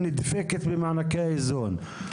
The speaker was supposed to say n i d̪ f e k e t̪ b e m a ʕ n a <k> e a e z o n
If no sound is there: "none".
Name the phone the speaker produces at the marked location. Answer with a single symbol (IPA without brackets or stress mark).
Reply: k